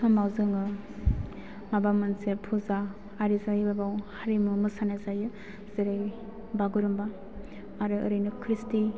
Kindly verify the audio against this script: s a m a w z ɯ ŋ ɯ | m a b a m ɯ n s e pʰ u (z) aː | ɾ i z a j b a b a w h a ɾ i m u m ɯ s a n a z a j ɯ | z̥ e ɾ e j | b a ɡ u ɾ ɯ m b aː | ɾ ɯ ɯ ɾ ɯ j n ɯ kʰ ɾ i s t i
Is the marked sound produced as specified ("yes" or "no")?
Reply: yes